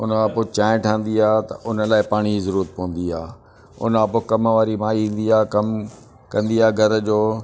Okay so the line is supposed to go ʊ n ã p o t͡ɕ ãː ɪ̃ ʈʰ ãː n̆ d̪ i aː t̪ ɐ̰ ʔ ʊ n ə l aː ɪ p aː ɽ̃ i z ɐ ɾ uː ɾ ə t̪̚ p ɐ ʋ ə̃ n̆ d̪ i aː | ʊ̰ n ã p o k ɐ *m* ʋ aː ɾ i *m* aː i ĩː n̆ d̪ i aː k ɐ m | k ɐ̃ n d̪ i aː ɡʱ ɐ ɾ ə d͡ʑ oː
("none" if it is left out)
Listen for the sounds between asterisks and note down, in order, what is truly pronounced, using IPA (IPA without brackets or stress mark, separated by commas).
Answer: m, m